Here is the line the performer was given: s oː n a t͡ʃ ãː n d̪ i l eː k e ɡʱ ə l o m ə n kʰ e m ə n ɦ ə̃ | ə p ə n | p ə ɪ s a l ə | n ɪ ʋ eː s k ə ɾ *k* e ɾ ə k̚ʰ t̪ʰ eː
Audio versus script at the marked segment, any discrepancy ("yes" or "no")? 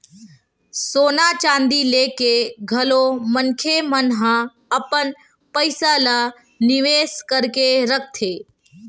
no